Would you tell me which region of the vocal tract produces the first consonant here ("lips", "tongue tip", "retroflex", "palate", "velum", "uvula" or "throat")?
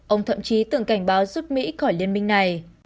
throat